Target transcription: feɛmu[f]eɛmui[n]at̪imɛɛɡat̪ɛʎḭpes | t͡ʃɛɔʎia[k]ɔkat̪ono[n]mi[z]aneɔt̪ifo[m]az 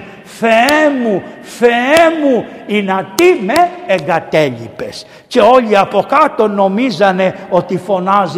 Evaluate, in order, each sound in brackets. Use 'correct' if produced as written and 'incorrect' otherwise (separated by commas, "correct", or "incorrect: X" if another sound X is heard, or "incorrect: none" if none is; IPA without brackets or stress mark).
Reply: correct, correct, incorrect: p, incorrect: none, correct, incorrect: n